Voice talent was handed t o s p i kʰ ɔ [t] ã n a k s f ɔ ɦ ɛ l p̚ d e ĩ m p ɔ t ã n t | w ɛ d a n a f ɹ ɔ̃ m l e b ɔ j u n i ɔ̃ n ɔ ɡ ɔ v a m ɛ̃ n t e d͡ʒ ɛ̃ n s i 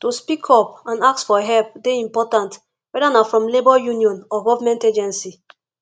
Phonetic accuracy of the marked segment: incorrect: p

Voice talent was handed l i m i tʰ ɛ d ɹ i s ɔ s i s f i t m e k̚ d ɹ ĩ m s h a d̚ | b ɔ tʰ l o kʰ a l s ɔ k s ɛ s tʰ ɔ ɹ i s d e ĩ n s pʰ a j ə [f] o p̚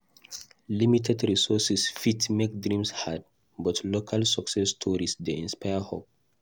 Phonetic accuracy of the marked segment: incorrect: h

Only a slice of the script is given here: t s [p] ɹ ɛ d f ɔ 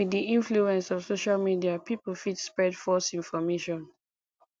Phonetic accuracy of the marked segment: correct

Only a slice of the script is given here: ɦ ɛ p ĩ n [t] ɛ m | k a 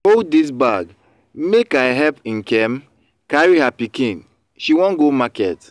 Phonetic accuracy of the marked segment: incorrect: k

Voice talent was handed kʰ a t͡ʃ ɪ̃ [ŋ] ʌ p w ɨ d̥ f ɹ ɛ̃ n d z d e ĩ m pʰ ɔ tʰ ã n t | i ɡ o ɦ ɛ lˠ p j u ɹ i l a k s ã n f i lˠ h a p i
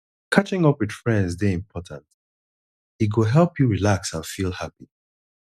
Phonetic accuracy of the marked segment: correct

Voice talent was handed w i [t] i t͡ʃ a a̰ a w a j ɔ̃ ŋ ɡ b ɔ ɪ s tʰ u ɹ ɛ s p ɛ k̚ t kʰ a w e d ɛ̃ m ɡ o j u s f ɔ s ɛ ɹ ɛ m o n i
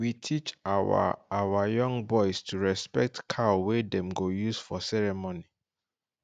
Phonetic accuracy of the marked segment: incorrect: tʰ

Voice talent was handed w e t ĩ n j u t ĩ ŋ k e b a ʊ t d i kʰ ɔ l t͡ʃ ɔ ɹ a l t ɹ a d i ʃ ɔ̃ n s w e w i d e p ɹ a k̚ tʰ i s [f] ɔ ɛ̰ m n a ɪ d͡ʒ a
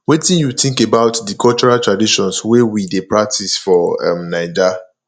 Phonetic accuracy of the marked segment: correct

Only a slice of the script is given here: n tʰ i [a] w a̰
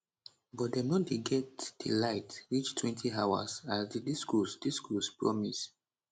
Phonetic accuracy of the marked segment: correct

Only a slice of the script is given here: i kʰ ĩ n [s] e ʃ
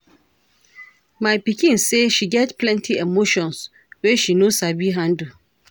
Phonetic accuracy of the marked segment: correct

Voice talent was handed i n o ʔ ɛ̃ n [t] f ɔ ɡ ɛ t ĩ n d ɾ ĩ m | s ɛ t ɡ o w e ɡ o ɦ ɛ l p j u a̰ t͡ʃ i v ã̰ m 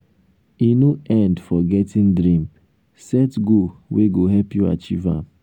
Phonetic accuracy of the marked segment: incorrect: d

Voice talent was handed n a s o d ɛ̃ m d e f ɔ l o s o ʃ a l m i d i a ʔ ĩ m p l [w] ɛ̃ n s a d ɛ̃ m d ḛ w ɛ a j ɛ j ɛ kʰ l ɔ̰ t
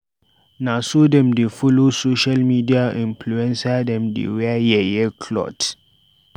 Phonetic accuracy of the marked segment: incorrect: u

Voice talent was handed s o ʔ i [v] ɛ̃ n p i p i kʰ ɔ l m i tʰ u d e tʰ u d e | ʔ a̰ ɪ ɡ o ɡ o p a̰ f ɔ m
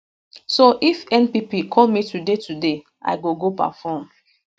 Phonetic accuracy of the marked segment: incorrect: f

